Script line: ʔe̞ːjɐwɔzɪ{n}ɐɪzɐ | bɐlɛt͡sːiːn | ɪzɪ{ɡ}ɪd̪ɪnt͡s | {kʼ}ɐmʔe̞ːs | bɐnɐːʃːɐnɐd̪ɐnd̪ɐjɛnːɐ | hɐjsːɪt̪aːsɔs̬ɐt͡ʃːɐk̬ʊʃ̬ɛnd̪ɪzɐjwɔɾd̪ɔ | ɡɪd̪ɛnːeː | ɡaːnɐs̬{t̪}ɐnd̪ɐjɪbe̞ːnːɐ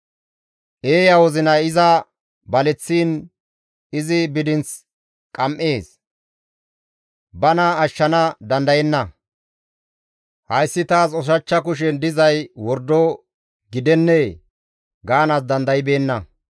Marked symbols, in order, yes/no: yes, no, yes, no

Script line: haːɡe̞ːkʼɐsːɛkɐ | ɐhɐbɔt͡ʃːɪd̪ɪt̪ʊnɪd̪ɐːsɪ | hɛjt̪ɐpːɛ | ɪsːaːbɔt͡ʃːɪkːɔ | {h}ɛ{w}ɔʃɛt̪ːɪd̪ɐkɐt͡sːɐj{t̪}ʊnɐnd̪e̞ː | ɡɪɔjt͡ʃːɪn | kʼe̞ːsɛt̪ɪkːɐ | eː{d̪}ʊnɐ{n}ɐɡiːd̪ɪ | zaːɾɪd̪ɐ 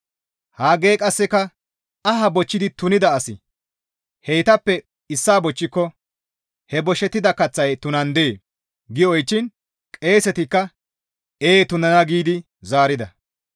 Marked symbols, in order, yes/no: yes, no, yes, no, yes

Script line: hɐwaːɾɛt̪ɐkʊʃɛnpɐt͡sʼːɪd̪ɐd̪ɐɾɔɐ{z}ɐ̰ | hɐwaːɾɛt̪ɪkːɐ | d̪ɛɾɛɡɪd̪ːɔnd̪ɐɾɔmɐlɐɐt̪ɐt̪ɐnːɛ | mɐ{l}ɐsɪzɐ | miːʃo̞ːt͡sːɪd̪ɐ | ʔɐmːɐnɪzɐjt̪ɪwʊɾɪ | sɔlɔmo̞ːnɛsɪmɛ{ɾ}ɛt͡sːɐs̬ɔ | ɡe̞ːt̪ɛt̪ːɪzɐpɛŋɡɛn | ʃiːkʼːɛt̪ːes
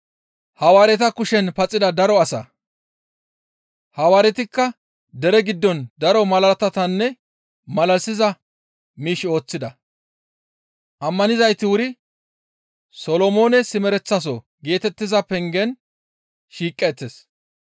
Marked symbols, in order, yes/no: no, yes, yes

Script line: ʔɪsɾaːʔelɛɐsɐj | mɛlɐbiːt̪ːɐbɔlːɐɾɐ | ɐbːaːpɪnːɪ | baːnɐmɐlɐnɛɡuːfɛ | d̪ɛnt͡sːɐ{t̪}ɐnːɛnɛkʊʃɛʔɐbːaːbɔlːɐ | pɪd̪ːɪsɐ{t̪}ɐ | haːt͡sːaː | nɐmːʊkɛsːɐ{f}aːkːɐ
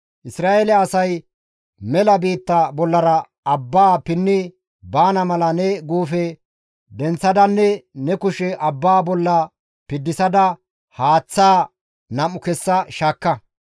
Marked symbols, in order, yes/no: no, no, no

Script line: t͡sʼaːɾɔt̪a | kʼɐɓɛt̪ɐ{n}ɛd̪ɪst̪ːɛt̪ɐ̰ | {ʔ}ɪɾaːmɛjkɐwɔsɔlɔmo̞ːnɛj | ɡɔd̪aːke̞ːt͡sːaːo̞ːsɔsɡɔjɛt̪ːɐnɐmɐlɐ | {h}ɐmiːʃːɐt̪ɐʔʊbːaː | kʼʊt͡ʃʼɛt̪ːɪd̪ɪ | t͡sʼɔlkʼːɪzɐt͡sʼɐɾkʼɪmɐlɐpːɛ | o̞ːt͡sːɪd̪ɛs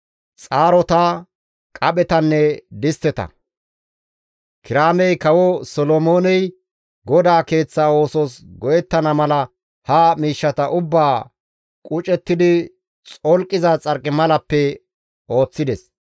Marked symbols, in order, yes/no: no, no, yes

